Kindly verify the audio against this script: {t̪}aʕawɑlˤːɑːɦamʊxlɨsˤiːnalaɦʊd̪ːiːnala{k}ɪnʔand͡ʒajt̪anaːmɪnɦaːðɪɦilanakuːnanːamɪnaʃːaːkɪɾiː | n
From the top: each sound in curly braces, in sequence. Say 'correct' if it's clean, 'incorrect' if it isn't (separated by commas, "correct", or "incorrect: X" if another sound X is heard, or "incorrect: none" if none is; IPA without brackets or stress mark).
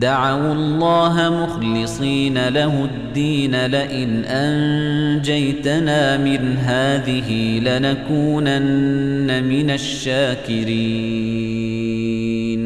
incorrect: d̪, incorrect: ʔ